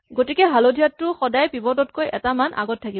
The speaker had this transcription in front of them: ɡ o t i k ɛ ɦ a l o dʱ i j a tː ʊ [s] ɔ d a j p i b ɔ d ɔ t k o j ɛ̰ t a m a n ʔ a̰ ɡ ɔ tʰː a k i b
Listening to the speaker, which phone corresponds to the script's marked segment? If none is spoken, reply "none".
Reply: x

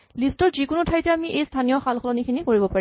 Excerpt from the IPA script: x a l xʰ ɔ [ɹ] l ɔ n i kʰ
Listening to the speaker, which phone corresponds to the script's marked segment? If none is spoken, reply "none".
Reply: none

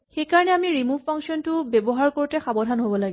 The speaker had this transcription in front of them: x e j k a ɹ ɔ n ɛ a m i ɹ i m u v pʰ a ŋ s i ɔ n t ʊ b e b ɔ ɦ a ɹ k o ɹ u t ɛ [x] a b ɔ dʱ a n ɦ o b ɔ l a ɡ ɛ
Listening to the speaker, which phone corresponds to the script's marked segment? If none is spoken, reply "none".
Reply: x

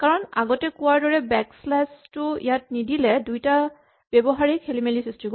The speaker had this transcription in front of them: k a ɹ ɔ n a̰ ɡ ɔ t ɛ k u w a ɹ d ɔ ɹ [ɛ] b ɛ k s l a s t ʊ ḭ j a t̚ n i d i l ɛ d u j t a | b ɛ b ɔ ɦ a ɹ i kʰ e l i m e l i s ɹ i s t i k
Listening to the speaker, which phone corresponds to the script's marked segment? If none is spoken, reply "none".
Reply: ɛ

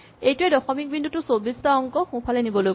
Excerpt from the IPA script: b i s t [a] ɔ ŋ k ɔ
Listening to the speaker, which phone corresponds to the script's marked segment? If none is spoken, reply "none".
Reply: a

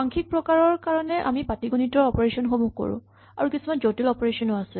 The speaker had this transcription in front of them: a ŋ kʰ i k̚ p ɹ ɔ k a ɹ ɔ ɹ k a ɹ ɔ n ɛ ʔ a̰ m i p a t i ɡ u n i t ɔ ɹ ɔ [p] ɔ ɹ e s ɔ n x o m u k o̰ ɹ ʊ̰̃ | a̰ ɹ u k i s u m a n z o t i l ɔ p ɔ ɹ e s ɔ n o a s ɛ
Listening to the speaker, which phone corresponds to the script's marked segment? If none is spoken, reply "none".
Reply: p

